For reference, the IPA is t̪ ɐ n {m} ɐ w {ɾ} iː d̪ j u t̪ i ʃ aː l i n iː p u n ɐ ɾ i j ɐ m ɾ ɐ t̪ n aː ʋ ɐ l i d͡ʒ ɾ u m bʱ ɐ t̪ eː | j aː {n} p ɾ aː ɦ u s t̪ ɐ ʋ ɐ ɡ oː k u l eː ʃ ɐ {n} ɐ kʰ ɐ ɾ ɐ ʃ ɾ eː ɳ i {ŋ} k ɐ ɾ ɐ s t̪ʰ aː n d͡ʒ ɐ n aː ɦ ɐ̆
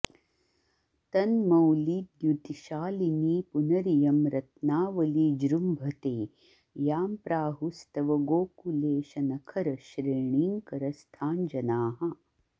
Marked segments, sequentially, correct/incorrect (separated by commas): correct, incorrect, incorrect, correct, correct